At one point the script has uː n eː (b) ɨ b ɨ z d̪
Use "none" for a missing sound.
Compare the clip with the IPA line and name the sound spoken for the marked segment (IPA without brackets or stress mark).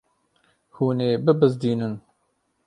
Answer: b